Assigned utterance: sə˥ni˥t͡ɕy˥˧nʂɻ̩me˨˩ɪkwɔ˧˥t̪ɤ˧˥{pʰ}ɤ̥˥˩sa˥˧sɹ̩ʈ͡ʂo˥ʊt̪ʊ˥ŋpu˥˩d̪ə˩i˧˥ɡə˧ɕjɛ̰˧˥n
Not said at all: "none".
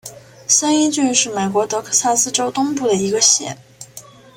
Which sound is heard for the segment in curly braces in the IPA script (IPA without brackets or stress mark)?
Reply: kʰ